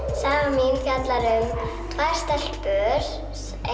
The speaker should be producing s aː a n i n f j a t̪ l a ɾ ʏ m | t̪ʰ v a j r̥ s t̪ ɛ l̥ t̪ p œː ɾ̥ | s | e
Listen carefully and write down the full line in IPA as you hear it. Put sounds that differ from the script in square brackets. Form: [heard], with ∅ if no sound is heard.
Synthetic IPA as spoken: s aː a [m] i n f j a t̪ l a ɾ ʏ m | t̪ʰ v a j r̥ s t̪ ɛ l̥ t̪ p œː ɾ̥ | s | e